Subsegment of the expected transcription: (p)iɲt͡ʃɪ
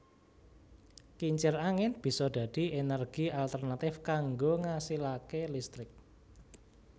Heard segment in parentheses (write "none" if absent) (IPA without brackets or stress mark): k